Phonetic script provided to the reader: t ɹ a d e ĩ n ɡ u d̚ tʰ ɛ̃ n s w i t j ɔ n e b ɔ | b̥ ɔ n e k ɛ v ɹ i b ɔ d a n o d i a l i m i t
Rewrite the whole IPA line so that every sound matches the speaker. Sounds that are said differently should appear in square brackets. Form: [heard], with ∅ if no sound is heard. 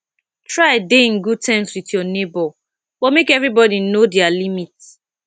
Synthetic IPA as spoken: t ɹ a d e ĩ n ɡ u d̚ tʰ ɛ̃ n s w i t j ɔ n e b ɔ | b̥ ɔ [m] e k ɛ v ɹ i b ɔ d [i] n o d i a l i m i t

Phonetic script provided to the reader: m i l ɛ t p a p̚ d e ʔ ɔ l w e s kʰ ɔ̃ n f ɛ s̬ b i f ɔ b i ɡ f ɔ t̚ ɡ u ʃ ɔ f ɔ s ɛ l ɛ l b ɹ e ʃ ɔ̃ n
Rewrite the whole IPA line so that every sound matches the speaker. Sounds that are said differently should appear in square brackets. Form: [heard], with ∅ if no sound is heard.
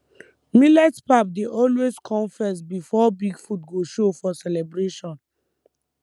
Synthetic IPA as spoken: m i l ɛ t p a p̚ d e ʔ ɔ l w e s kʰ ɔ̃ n f ɛ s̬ b i f ɔ b i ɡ f [u] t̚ ɡ [o] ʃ [o] f ɔ s ɛ l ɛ [∅] b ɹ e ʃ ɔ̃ n

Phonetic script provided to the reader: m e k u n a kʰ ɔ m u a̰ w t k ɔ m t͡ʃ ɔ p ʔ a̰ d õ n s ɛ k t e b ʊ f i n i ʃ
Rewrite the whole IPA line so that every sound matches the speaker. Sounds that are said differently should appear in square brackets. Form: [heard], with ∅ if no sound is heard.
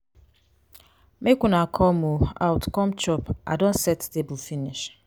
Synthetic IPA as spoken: m e k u n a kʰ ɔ m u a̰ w t k ɔ m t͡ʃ ɔ p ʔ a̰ d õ n s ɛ [t] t e b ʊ f i n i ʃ

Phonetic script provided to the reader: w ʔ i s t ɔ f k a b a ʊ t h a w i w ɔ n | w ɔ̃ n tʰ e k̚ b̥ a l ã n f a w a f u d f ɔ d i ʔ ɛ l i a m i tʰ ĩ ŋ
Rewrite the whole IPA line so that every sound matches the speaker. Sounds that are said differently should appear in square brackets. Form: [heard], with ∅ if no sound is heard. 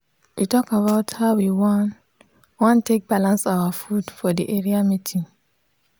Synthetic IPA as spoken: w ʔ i [∅] t ɔ [∅] k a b a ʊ t h a w i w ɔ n | w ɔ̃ n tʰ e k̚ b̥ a l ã n [s] a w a f u d f ɔ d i ʔ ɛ [ɹ] i a m i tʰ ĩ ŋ

